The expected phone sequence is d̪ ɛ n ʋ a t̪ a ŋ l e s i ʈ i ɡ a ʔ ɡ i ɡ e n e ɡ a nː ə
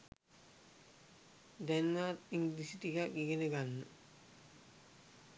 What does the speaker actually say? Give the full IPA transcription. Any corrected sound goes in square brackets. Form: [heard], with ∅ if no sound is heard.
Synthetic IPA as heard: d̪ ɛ n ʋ a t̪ [i] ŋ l [i] s i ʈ i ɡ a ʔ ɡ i ɡ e n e ɡ a nː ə

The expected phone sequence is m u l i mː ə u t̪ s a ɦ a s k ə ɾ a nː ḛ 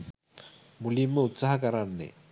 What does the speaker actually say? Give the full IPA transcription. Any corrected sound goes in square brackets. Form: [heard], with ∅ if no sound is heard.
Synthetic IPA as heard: m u l i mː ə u t̪ s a ɦ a [∅] k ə ɾ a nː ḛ

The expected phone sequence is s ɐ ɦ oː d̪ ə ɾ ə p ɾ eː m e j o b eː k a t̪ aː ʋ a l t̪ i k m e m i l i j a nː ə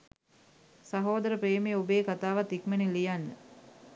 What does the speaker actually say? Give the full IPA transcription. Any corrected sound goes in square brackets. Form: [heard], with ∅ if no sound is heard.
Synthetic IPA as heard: s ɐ ɦ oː d̪ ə ɾ ə p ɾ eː m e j o b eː k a t̪ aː ʋ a [∅] t̪ i k m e [n] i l i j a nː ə

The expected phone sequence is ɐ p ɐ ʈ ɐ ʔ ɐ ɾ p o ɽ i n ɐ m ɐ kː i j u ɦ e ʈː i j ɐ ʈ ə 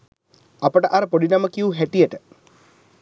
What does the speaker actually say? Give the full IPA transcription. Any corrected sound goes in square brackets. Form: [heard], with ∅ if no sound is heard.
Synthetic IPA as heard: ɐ p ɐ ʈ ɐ ʔ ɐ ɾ p o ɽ i n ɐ m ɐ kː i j u ɦ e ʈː i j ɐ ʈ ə

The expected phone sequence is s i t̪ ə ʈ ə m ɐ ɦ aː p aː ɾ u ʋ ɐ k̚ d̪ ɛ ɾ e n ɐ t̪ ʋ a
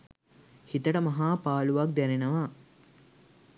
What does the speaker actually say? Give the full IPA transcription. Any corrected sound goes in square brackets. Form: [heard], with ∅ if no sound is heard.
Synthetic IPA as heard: [h] i t̪ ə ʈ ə m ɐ ɦ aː p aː [l] u ʋ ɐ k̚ d̪ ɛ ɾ e n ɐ [∅] ʋ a

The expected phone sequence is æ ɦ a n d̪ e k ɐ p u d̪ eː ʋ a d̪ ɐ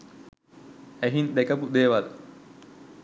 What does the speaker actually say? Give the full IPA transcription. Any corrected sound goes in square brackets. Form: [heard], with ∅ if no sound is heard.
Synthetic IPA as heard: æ ɦ [i] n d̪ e k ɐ p u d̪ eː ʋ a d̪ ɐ

